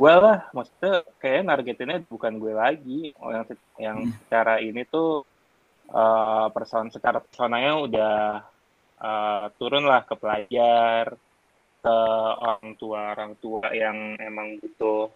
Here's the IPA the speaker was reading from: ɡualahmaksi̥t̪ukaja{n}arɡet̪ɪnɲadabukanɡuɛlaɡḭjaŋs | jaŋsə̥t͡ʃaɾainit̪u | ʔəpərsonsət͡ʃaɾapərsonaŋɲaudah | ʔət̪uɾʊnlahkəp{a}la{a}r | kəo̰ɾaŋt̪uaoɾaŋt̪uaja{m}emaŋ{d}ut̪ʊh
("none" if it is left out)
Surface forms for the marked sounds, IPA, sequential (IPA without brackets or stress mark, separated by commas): n, ə, a, ŋ, b